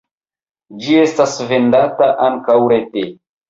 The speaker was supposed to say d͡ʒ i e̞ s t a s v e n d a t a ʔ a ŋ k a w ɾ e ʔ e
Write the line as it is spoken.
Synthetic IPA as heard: d͡ʒ i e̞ s t a s v e n d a t a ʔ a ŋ k a w ɾ e t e